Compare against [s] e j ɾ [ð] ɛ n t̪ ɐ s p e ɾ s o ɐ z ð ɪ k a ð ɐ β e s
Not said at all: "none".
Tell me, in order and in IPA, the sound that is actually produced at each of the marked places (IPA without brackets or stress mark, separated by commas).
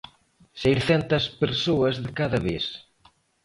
s, θ